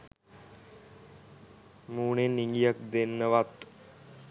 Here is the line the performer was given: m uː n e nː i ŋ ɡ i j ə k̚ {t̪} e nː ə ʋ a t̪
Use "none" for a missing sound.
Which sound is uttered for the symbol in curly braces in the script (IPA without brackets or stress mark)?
d̪